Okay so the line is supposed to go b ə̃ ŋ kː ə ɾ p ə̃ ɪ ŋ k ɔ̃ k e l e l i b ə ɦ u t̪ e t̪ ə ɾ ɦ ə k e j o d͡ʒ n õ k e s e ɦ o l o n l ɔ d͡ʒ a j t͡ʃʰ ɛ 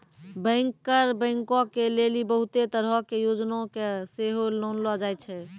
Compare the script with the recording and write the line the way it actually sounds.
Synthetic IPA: b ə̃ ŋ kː ə ɾ b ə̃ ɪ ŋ k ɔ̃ k e l e l i b ə ɦ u t̪ e t̪ ə ɾ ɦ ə k e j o d͡ʒ n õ k e s e ɦ o l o n l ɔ d͡ʒ a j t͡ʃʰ ɛ

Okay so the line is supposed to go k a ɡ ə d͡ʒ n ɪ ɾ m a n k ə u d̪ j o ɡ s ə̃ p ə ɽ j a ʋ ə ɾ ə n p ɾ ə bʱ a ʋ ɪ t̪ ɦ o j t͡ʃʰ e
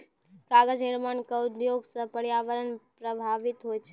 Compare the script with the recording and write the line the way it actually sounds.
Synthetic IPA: k a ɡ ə d͡ʒ n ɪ ɾ m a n k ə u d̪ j o ɡ s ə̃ p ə ɽ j a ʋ ə ɾ ə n p ɾ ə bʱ a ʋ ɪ t̪ ɦ o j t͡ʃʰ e

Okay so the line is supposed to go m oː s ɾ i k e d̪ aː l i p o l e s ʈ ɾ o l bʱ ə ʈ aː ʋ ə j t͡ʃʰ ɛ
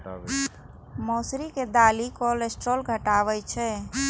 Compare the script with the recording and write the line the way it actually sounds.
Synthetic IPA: m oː s ɾ i k e d̪ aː l i k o l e s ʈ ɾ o l ɡʱ ə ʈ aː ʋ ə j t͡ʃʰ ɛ

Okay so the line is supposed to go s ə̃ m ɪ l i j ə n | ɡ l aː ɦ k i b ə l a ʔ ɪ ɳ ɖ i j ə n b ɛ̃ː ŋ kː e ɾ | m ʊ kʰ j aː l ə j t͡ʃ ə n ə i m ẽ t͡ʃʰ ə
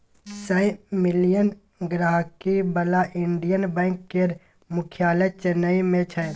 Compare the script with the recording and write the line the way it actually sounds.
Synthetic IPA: s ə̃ m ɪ l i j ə n | ɡ ɾ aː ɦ k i b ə l a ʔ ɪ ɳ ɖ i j ə n b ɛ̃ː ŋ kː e ɾ | m ʊ kʰ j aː l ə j t͡ʃ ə n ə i m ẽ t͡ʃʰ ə

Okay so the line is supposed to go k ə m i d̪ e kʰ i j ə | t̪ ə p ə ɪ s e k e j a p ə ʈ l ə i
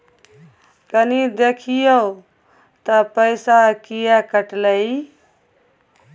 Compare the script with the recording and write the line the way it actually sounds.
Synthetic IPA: k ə n i d̪ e kʰ i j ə | t̪ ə p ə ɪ s a k i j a k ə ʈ l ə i

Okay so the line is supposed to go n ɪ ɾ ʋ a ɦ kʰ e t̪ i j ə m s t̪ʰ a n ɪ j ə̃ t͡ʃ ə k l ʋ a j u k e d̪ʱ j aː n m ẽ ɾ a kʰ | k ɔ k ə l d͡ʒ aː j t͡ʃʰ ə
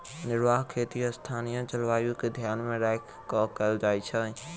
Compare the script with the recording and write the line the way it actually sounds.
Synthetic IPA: n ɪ ɾ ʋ a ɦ kʰ e t̪ i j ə s t̪ʰ a n i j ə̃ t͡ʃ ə l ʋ a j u k e d̪ʱ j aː n m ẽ ɾ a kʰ | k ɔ k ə l d͡ʒ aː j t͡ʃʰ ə

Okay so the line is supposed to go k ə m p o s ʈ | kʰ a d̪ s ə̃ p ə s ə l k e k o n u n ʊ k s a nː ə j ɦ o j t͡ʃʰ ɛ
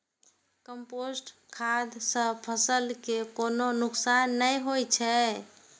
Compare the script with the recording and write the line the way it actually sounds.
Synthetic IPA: k ə m p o s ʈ | kʰ a d̪ s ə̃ pʰ ə s ə l k e k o n o n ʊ k s a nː ə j ɦ o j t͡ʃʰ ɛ

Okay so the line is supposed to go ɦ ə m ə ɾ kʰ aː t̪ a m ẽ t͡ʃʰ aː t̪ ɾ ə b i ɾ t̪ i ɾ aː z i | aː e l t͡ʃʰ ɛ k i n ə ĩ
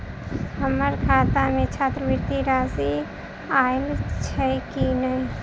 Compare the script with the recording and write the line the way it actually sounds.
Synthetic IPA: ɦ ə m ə ɾ kʰ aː t̪ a m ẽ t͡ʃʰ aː t̪ ɾ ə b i ɾ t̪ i ɾ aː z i | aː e l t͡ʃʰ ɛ k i n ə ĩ

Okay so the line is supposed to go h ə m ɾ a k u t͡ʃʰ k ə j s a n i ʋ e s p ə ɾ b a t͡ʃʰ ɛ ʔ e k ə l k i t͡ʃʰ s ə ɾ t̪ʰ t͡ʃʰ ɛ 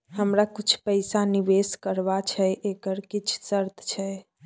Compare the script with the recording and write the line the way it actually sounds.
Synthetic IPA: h ə m ɾ a k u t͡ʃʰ p ə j s a n i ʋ e s k ə ɾ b a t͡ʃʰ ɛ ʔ e k ə ɾ k i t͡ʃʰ s ə ɾ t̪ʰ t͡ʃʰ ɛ

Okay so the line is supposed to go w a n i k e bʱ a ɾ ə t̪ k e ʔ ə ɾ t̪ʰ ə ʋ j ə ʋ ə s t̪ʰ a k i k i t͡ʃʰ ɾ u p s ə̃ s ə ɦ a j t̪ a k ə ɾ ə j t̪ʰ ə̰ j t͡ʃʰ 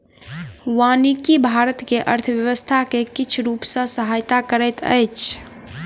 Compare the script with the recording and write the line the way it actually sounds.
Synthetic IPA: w a n i k i bʱ a ɾ ə t̪ k e ʔ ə ɾ t̪ʰ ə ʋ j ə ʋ ə s t̪ʰ a k e k i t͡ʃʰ ɾ u p s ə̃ s ə ɦ a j t̪ a k ə ɾ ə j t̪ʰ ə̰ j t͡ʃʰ

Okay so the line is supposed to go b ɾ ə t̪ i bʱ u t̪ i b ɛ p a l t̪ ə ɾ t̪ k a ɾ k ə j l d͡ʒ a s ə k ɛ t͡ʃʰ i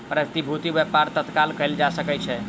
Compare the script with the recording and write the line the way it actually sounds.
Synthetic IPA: p ɾ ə t̪ i bʱ u t̪ i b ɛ p a ɾ t̪ ə t̪ k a l k ə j l d͡ʒ a s ə k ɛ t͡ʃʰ ɛ

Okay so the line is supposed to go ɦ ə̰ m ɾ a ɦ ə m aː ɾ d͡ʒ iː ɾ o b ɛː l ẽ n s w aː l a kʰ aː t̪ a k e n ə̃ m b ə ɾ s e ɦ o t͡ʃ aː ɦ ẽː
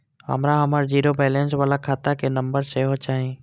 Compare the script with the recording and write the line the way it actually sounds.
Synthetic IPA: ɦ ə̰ m ɾ a ɦ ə m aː ɾ d͡ʒ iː ɾ o b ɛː l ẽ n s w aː l a kʰ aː t̪ a k e n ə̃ m b ə ɾ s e ɦ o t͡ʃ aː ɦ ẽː

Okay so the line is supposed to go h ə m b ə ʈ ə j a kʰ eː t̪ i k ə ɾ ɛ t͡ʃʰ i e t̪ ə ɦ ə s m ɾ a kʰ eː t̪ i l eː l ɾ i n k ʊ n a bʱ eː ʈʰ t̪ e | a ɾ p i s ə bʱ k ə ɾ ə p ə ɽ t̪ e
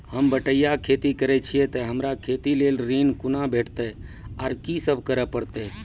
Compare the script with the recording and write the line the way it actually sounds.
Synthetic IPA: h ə m b ə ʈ ə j a kʰ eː t̪ i k ə ɾ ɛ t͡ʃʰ i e t̪ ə ɦ ə m ɾ a kʰ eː t̪ i l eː l ɾ i n k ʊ n a bʱ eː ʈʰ t̪ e | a ɾ k i s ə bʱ k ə ɾ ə p ə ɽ t̪ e

